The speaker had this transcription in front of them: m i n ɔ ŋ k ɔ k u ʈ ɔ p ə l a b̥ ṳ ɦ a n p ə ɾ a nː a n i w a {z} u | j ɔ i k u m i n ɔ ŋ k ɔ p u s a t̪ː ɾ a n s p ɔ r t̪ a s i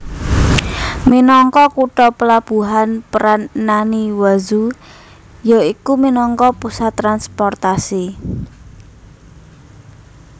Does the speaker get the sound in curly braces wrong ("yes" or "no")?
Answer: no